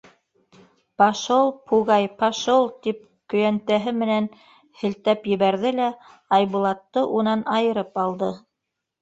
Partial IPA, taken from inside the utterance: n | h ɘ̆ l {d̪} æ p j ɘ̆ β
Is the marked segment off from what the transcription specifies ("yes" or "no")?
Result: yes